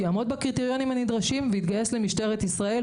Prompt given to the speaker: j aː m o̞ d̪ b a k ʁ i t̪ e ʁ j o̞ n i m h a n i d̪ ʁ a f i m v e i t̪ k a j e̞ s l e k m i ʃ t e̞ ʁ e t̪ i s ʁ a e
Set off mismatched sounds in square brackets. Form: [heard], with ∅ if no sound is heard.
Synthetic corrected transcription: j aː m o̞ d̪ b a k ʁ i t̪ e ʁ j o̞ n i m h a n i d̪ ʁ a [ʃ] i m v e i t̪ [ɡ] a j e̞ s l e [∅] m i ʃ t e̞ ʁ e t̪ i s ʁ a e